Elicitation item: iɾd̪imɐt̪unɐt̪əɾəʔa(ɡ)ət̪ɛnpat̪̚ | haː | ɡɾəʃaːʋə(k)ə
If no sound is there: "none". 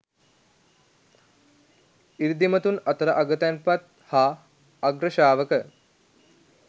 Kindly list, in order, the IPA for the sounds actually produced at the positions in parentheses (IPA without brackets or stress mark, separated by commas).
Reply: ɡ, k